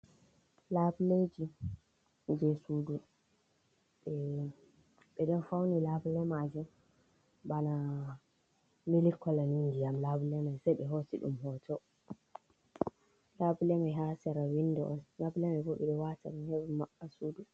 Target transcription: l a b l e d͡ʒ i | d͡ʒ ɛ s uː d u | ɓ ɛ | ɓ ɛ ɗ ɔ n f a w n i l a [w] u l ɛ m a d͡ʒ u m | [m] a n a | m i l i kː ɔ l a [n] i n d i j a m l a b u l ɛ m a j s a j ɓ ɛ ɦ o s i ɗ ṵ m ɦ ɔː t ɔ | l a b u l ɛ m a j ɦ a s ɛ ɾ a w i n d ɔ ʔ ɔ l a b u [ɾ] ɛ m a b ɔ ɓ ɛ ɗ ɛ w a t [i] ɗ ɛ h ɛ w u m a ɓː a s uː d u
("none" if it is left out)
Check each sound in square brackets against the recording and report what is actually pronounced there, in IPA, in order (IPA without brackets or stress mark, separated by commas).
b, b, n, l, a